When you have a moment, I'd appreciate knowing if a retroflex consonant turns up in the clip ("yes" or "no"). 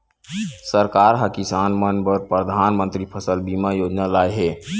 no